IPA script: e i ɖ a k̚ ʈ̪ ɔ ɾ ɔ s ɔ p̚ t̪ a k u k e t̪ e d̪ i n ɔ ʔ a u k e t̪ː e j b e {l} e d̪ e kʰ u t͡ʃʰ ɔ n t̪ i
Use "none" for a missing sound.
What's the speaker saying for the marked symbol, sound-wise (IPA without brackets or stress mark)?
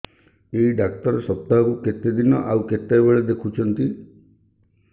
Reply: ɭ